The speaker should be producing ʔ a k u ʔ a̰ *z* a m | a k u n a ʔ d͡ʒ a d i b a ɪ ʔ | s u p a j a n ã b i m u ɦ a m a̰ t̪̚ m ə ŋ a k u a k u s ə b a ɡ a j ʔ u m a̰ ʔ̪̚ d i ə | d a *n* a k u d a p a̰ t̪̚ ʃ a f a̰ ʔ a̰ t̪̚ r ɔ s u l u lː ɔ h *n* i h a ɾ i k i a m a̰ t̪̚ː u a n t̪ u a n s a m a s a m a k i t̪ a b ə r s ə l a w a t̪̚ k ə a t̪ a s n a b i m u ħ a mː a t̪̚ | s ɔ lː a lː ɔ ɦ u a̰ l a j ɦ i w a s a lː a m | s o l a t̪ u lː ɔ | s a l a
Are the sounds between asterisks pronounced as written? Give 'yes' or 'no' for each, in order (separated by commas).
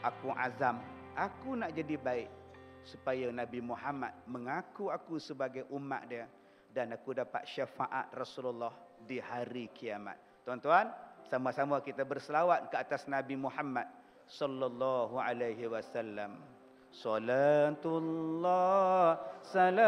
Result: yes, yes, no